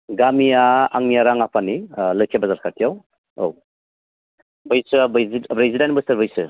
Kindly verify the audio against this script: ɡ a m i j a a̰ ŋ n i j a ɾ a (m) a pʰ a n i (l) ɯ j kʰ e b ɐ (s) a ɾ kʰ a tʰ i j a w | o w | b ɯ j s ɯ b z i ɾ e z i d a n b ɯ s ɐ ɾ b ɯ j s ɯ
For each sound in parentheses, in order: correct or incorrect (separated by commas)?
incorrect, correct, incorrect